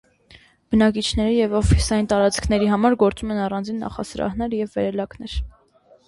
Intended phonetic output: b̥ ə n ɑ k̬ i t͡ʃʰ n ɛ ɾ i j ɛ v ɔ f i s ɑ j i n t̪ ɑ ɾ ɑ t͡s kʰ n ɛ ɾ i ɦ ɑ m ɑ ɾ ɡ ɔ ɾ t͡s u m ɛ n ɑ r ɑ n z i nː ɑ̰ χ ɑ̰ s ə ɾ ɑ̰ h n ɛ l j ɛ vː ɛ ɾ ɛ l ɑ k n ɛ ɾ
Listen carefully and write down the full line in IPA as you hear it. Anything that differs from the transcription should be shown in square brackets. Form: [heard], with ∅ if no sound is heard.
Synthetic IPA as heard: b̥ ə n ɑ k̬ i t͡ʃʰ n ɛ ɾ i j ɛ v ɔ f i s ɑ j i n t̪ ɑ ɾ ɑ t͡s kʰ n ɛ ɾ i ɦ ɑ m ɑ ɾ ɡ ɔ ɾ t͡s u m ɛ n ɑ r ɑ n [d͡z] i nː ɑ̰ χ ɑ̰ s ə ɾ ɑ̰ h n ɛ [ɾ] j ɛ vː ɛ ɾ ɛ l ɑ k n ɛ ɾ